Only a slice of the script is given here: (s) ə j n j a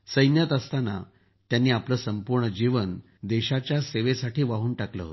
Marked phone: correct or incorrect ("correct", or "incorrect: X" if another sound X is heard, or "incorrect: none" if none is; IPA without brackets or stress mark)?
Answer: correct